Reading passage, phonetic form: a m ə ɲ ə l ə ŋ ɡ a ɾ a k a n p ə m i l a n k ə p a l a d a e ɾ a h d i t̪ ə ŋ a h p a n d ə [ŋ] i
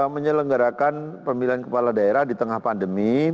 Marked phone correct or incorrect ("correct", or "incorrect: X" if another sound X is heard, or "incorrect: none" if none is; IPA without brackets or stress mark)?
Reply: incorrect: m